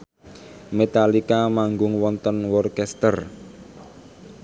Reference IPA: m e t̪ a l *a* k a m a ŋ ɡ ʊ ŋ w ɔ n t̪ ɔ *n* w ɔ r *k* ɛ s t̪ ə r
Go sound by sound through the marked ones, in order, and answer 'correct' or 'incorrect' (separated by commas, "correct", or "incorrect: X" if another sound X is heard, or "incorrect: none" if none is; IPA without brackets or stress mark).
incorrect: i, correct, correct